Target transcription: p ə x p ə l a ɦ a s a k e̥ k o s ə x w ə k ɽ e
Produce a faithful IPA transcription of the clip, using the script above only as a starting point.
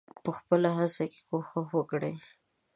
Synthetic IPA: p ə x p ə l a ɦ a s a k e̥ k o x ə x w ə k ɽ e